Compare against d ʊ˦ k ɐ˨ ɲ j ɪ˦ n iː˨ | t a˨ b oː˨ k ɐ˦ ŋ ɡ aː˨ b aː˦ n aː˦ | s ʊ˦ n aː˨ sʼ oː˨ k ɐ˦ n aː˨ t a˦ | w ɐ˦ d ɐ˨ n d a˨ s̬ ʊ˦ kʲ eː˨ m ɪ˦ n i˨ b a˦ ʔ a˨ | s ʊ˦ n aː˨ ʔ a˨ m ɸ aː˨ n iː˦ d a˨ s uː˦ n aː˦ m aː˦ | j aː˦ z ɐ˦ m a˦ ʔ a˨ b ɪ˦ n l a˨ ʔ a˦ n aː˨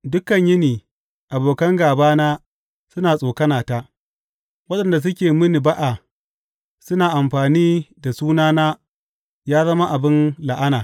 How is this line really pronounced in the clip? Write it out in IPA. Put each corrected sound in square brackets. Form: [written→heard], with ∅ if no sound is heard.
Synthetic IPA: d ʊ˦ k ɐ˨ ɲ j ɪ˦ n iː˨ | [t→ʔ] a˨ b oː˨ k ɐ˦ ŋ ɡ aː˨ b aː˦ n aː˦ | s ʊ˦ n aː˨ sʼ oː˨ k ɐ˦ n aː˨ t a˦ | w ɐ˦ [d→ɗ] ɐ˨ n d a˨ s̬ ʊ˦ kʲ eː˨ m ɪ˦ n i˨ b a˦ ʔ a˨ | s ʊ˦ n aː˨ ʔ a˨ m ɸ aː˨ n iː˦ d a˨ s uː˦ n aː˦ [m→n] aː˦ | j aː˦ z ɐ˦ m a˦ ʔ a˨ b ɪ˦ n l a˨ ʔ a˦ n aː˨